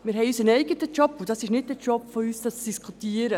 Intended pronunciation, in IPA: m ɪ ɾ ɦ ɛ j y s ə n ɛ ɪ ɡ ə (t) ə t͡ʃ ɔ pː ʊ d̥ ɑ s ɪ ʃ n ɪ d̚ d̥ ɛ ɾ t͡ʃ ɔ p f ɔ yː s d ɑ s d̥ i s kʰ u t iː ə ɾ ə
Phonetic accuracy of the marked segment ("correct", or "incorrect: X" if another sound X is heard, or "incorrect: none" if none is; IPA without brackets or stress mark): correct